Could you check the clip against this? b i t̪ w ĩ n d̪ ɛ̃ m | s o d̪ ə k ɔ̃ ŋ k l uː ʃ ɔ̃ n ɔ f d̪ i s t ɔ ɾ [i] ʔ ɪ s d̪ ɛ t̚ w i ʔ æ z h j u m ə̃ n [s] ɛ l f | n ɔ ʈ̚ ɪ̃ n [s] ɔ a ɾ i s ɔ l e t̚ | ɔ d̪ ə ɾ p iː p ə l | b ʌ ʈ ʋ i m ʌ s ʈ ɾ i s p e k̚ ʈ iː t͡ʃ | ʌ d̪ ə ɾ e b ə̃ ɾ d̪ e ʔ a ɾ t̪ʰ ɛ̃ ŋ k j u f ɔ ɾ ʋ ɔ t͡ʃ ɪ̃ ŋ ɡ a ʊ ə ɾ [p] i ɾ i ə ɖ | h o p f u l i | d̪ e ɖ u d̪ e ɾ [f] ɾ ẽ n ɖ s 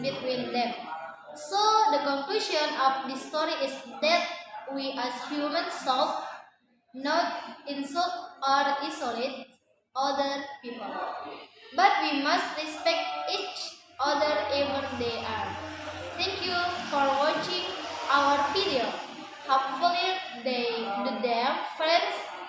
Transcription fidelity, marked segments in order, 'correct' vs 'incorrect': correct, correct, correct, correct, correct

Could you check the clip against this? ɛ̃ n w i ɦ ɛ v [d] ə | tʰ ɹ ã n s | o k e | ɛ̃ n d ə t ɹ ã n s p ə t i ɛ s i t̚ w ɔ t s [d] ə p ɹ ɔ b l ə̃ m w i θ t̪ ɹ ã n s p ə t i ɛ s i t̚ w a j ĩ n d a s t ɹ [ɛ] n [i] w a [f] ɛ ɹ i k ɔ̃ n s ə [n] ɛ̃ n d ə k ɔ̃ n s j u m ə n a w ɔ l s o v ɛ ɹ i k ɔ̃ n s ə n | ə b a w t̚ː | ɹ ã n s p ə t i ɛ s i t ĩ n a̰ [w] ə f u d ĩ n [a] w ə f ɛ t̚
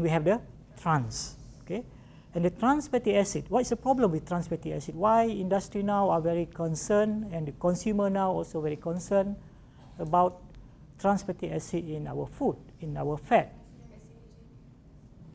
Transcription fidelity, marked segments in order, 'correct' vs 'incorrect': correct, correct, incorrect: i, incorrect: a, incorrect: v, correct, correct, correct

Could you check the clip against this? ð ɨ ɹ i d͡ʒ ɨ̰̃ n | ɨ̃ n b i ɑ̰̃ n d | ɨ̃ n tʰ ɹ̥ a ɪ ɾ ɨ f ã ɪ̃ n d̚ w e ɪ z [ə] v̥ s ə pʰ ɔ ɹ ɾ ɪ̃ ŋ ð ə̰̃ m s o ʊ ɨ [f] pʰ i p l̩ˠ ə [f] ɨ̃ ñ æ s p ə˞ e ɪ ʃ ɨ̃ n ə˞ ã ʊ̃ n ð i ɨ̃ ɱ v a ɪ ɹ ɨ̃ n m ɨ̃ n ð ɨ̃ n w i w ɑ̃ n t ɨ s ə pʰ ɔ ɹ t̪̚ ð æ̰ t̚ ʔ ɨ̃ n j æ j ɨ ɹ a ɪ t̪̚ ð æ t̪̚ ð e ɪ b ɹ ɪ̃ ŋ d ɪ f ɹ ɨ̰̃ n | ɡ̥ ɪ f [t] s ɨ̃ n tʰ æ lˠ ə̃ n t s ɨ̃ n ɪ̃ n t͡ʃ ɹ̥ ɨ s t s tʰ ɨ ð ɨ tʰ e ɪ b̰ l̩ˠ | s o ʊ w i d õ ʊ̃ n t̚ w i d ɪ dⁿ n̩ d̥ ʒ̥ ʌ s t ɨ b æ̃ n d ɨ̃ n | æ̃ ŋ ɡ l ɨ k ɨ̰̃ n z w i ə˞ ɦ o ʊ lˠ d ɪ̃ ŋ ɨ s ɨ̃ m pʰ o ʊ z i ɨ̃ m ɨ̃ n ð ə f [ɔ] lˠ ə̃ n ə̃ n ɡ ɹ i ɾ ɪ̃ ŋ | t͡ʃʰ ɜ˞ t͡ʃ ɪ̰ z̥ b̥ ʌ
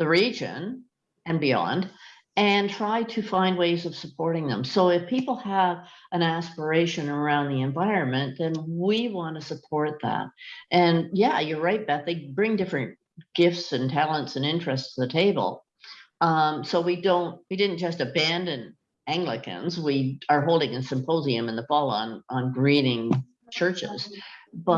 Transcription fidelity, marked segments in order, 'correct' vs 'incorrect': incorrect: ʌ, correct, incorrect: v, correct, correct

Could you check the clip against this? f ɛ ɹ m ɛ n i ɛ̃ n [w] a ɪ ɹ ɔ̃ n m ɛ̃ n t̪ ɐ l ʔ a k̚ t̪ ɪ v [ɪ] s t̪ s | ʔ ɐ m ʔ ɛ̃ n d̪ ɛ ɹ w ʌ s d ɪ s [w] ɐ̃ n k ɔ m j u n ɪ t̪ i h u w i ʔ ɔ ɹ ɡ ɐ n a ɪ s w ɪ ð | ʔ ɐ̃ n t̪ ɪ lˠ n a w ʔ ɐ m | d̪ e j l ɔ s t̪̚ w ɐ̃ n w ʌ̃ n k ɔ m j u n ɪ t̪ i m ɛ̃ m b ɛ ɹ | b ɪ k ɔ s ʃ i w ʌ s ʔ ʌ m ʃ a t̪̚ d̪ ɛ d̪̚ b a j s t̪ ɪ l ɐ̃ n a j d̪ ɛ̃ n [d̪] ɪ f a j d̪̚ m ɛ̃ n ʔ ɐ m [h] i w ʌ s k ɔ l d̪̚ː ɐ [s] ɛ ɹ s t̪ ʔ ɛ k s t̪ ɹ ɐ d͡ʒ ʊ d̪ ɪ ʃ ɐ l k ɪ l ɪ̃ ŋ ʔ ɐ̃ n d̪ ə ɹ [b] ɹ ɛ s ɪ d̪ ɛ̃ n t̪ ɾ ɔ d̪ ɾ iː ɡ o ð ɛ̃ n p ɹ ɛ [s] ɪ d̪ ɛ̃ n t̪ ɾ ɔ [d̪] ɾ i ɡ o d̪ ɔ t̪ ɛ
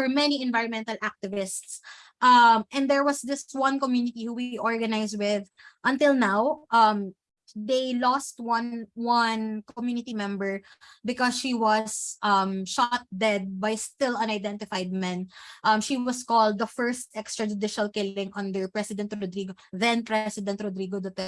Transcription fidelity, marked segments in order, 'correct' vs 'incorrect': incorrect: v, correct, correct, incorrect: t̪, incorrect: ʃ, incorrect: f, incorrect: p, correct, correct

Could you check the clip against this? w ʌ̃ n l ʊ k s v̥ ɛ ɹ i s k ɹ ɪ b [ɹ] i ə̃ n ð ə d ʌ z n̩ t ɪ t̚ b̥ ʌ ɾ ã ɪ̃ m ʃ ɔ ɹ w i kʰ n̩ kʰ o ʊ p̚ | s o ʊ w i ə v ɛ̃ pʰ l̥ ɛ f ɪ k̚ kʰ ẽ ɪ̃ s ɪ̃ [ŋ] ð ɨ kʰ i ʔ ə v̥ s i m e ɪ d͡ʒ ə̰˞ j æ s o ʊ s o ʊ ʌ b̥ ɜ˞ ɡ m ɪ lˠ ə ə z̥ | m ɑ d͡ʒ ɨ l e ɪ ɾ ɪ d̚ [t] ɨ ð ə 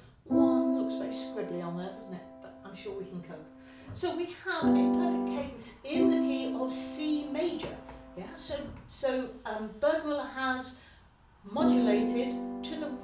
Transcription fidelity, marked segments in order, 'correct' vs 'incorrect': incorrect: l, incorrect: n, incorrect: tʰ

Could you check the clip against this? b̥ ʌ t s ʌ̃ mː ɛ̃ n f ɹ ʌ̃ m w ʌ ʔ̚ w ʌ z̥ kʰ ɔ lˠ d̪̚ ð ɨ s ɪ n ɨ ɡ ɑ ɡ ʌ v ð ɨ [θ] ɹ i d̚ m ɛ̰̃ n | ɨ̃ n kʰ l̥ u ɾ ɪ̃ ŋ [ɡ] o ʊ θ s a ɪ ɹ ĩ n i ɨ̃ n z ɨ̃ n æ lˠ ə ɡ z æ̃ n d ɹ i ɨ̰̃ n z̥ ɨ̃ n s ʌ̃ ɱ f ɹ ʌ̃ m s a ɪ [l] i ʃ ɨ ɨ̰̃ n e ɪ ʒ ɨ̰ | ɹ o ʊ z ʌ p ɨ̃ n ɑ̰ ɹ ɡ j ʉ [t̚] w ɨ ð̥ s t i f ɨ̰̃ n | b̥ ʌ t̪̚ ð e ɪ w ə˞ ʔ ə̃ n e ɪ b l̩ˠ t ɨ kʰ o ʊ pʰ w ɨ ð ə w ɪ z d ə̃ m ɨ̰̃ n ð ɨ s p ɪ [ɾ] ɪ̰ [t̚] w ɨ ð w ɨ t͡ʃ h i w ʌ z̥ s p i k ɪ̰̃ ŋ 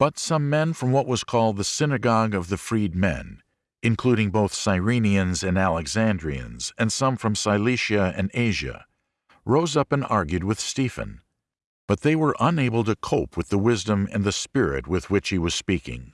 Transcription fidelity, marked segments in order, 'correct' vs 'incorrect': incorrect: f, incorrect: b, correct, incorrect: d̚, incorrect: ɹ, correct

